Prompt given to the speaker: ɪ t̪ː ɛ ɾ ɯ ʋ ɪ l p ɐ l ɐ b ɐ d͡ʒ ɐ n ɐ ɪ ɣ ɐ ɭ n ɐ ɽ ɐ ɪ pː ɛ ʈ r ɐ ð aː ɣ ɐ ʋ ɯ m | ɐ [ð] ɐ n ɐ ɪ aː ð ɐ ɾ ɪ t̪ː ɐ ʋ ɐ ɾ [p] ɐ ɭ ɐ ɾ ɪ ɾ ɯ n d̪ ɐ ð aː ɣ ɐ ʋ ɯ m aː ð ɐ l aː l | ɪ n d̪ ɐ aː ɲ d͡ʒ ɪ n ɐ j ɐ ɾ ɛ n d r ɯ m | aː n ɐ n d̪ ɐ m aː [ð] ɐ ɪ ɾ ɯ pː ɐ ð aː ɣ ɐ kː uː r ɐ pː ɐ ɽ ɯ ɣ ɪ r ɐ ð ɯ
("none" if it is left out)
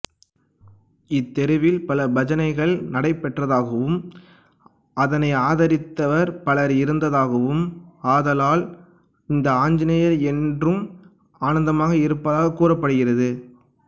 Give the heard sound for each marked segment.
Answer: ð, p, ɣ

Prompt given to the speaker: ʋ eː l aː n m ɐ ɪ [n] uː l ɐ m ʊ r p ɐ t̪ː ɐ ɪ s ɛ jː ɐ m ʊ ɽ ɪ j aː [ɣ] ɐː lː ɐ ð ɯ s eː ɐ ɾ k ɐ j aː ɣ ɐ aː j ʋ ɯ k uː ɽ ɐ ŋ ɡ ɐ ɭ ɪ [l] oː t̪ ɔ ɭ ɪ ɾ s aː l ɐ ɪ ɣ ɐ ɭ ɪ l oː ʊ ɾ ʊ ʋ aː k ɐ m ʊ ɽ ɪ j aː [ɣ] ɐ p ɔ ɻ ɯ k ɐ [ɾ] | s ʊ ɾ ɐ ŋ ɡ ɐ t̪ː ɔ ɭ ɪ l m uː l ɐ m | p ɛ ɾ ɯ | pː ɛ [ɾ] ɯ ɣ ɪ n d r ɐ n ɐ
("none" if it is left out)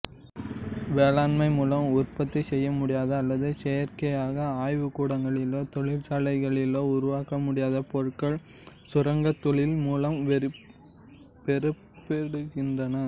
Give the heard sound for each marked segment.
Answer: m, ð, l, ð, ɭ, ɽ

